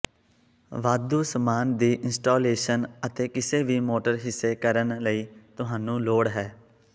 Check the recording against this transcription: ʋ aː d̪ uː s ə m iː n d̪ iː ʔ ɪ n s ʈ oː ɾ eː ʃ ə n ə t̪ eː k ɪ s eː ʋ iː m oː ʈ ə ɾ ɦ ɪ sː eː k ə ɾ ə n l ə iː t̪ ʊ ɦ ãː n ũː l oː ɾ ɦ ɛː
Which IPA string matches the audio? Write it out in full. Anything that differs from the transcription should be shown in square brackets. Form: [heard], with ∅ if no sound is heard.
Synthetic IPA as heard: ʋ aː d̪ uː s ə m [aː] n d̪ iː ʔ ɪ n s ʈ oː [l] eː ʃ ə n ə t̪ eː k ɪ s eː ʋ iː m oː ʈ ə ɾ ɦ ɪ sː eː k ə ɾ ə n l ə iː t̪ ʊ ɦ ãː n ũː l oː [ɽ] ɦ ɛː